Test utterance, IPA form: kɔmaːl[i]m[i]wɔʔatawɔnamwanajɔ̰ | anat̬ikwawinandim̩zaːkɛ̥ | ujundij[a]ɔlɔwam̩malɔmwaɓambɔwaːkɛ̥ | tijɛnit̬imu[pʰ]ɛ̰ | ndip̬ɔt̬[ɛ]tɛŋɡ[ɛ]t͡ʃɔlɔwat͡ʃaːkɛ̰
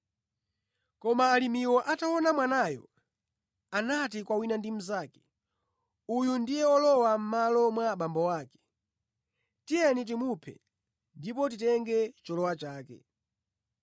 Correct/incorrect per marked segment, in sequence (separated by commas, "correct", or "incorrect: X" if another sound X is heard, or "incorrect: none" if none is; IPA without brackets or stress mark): correct, correct, incorrect: ɛ, correct, incorrect: i, correct